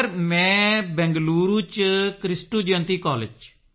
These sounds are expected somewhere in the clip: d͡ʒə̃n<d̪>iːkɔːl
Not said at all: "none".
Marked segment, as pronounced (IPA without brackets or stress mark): t̪